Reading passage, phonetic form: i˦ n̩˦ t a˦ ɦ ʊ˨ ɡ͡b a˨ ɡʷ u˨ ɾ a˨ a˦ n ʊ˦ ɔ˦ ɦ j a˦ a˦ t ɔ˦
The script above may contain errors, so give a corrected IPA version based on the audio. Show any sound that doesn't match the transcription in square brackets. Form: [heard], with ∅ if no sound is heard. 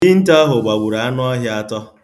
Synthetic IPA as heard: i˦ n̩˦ t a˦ ɦ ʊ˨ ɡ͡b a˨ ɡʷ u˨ ɾ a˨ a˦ n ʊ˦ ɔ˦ ɦ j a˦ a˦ t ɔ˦

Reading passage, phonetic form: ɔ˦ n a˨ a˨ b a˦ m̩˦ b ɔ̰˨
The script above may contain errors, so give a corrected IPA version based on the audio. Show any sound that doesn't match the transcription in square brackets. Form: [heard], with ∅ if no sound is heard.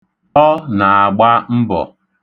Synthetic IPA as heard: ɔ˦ n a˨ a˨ [ɡ͡b] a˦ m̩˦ b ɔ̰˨

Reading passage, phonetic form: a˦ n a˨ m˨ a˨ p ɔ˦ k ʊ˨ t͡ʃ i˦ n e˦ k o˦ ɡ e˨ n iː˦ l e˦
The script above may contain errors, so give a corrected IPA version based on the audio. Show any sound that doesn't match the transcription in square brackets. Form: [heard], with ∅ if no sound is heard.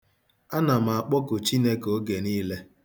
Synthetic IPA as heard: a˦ n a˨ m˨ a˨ [k͡p] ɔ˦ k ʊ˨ t͡ʃ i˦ n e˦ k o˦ ɡ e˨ n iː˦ l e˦

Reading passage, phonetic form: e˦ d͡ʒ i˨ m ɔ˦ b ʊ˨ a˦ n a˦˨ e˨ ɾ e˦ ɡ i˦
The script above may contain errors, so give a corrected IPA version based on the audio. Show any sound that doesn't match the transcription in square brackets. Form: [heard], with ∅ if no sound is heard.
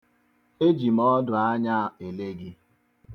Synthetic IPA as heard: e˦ d͡ʒ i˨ m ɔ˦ [d] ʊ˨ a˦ [ɲ] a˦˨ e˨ [l] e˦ ɡ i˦

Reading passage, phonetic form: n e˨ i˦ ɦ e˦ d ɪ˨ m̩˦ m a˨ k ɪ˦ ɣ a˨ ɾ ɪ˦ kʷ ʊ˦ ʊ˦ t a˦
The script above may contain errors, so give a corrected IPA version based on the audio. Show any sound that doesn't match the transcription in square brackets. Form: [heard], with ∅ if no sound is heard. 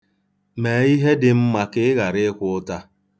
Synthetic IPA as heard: [m] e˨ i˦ ɦ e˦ d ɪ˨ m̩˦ m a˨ k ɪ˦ ɣ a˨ ɾ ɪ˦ kʷ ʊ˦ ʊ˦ t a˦

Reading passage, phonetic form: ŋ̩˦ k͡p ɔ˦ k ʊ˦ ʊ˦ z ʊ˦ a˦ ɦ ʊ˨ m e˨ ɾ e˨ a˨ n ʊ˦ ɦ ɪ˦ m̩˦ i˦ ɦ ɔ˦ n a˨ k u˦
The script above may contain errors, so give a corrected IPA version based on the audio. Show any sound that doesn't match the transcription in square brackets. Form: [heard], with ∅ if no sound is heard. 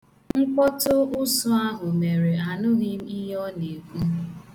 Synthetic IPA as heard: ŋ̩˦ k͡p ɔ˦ [t] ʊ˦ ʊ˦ [s] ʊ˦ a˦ ɦ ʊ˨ m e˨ ɾ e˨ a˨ n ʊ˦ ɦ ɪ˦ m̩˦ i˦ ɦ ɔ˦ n [e˨] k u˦

